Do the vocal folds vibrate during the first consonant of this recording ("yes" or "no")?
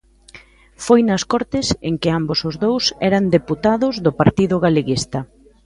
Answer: no